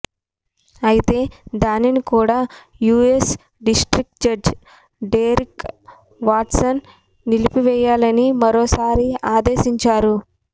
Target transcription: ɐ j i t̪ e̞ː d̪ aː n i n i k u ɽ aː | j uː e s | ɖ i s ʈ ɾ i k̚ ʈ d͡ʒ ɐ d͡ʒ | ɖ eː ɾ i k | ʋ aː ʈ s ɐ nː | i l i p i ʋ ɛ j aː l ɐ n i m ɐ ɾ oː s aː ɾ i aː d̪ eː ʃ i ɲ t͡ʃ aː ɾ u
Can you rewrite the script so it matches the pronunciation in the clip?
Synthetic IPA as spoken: ɐ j i t̪ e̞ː d̪ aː n i n i k uː ɽ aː | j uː e s | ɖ i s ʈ ɾ i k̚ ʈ d͡ʒ ɐ d͡ʒ | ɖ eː ɾ i k | ʋ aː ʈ s ɐ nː | i l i p i ʋ ɛ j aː l ɐ n i m ɐ ɾ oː s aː ɾ i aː d̪ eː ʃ i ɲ t͡ʃ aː ɾ u